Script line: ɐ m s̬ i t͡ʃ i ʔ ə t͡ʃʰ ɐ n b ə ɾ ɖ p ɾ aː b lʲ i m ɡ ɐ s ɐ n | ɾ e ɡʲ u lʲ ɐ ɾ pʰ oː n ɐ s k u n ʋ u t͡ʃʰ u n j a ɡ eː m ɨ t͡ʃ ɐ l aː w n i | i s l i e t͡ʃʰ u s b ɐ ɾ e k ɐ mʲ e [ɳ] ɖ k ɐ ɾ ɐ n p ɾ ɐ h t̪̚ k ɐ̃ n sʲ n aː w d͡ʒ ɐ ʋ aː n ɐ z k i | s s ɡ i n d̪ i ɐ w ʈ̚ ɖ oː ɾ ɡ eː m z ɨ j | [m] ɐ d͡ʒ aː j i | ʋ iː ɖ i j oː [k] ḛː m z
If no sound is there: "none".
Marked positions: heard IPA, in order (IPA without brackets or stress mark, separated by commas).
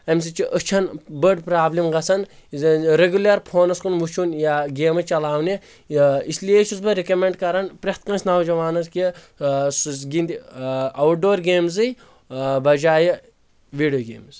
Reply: ɳ, b, ɡ